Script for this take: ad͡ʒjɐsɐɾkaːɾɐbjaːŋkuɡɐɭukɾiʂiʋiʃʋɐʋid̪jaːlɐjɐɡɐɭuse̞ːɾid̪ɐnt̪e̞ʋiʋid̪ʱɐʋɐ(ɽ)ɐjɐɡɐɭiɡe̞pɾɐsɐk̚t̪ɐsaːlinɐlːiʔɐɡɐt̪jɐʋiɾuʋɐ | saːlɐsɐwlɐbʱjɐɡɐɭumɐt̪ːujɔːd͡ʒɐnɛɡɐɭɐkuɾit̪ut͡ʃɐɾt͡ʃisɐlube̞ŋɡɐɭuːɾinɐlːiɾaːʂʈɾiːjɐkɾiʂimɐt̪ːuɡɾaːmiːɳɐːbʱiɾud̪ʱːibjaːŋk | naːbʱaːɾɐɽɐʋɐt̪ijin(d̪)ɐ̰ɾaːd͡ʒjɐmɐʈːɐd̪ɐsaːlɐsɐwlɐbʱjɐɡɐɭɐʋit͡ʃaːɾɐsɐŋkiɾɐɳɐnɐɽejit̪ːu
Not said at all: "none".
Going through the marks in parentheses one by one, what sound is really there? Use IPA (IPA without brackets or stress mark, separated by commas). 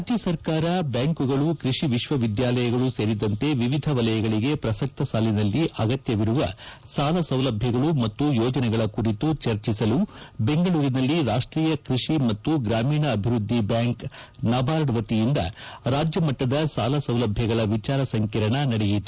l, d̪